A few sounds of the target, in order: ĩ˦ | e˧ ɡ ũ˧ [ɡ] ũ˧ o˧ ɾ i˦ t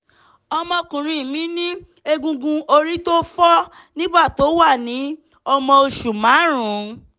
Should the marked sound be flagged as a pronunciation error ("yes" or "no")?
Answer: no